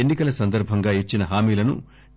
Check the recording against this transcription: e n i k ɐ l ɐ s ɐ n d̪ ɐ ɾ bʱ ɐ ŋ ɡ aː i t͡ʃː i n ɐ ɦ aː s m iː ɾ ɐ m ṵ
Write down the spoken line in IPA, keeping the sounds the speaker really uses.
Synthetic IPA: e nː i k ɐ l ɐ s ɐ n d̪ ɐ ɾ bʱ ɐ ŋ ɡ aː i t͡ʃː i n ɐ ɦ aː m iː l ɐ n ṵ

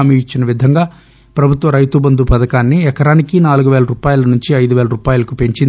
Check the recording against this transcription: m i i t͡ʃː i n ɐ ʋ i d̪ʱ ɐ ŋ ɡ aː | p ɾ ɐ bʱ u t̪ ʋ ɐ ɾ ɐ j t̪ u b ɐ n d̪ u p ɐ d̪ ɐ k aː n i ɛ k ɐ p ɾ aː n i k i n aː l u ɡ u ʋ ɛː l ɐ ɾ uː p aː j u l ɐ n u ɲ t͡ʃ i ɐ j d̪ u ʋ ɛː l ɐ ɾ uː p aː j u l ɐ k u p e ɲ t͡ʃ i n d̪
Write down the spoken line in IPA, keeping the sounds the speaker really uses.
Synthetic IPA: m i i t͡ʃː i n ɐ ʋ i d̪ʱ ɐ ŋ ɡ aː | p ɾ ɐ bʱ u t̪ ʋ ɐ ɾ ɐ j t̪ u b ɐ n d̪ u p ɐ d̪ ɐ k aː nː i ɛ k ɐ ɾ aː n i k i n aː l u ɡ u ʋ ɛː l ɐ ɾ uː p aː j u l ɐ n u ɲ t͡ʃ i ɐ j d̪ u ʋ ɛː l ɐ ɾ uː p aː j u l ɐ k u p e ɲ t͡ʃ i n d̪

